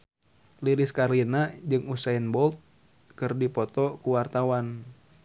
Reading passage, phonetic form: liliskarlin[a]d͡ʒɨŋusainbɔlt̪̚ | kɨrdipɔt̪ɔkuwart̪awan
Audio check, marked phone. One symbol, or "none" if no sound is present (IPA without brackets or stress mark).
a